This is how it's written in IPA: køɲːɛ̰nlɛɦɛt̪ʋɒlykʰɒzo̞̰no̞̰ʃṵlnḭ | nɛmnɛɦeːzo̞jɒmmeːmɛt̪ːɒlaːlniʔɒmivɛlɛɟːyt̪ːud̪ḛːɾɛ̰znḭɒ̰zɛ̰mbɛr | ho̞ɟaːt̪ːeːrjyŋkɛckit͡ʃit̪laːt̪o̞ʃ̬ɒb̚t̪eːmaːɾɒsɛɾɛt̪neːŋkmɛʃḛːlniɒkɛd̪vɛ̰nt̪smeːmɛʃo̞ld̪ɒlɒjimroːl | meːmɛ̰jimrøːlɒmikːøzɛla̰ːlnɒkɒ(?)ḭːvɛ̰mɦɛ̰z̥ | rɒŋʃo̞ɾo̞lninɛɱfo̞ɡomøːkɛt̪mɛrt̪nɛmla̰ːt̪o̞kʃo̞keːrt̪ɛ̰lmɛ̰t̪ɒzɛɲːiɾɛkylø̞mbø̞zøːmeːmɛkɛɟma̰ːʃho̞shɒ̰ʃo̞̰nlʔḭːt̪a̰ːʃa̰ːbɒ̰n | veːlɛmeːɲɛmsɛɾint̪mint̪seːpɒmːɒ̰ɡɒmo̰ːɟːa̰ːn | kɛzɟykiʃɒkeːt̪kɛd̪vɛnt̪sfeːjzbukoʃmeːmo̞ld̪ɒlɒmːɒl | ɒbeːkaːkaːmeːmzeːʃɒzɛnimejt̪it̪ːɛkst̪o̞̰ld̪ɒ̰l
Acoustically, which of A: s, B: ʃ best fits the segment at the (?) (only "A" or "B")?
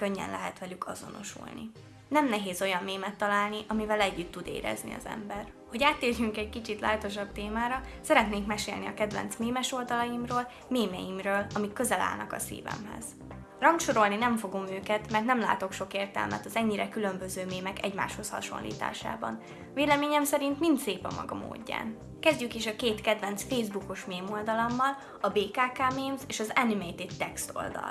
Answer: A